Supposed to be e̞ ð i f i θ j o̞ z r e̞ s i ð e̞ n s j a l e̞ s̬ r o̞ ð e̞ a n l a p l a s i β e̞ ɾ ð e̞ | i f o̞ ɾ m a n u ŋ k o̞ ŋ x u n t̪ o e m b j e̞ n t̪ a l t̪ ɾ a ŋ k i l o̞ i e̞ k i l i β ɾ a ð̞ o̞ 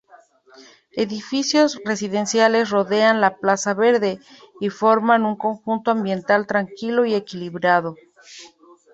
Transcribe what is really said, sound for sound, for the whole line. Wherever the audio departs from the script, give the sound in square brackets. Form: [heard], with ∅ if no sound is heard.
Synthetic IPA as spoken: e̞ ð i f i [s] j o̞ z r e̞ s i ð e̞ n s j a l e̞ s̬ r o̞ ð e̞ a n l a p l a s [a] β e̞ ɾ ð e̞ | i f o̞ ɾ m a n u ŋ k o̞ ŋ x u n t̪ o [a] m b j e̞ n t̪ a l t̪ ɾ a ŋ k i l o̞ i e̞ k i l i β ɾ a ð̞ o̞